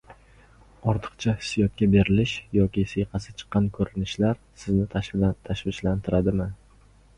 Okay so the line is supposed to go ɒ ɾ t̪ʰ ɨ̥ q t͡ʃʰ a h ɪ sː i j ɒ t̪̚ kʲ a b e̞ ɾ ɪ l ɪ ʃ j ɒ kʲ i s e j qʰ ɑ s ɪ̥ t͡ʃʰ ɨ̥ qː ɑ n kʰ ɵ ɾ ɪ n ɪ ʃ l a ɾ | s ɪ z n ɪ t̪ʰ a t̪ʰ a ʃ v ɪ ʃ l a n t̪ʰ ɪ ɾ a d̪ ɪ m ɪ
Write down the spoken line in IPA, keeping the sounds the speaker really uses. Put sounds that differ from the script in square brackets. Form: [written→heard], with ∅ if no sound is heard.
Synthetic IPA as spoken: ɒ ɾ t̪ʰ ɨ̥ q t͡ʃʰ a h ɪ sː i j ɒ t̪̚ kʲ a b e̞ ɾ ɪ l ɪ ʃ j ɒ kʲ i s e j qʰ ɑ s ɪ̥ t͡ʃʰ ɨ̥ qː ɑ n kʰ ɵ ɾ ɪ n ɪ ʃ l a ɾ | s ɪ z n ɪ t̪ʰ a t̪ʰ a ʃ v ɪ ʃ l a n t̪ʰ ɪ ɾ a d̪ ɪ m ɪ